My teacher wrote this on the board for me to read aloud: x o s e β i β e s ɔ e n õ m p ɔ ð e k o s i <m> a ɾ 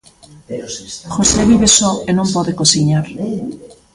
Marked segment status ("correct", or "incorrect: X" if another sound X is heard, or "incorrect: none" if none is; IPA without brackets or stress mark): incorrect: ɲ